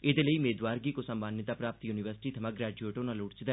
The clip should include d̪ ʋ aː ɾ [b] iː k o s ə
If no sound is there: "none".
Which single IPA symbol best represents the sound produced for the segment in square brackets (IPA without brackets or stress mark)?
ɡ